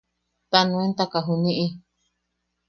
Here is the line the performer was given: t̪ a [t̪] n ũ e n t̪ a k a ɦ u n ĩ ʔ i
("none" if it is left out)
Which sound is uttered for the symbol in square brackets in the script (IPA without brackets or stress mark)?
none